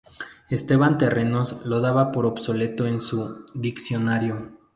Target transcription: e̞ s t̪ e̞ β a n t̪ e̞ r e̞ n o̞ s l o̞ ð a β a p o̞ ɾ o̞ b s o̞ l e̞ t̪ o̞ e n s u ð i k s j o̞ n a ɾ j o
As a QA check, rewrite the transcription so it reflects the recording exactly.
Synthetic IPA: e̞ s t̪ e̞ β a n t̪ e̞ r e̞ n o̞ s l o̞ ð a β a p o̞ ɾ o̞ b s o̞ l e̞ t̪ o̞ e n s u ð i k s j o̞ n a ɾ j o